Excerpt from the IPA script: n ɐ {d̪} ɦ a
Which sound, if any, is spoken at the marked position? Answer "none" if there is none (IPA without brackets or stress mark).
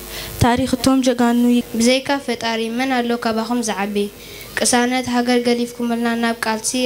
t̪